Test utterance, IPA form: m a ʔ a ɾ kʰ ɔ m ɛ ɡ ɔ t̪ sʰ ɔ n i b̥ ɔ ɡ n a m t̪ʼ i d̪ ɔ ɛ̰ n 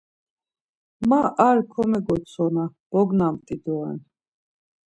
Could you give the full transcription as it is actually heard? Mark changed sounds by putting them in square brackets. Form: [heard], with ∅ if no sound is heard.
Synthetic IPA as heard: m a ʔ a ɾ kʰ ɔ m ɛ ɡ ɔ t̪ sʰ ɔ n [a] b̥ ɔ ɡ n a m t̪ʼ i d̪ ɔ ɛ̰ n